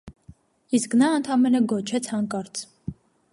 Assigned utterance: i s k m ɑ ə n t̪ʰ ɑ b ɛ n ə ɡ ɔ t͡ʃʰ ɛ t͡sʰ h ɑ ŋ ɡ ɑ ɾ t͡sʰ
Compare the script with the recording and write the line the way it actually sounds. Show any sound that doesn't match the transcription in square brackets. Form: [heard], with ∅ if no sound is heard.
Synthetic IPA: i s k [n] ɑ ə n t̪ʰ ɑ [m] ɛ n ə ɡ ɔ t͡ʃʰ ɛ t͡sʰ h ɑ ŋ [k] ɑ ɾ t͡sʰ